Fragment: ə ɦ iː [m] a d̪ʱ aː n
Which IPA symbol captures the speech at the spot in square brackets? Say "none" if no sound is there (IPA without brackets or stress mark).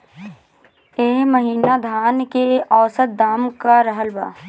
n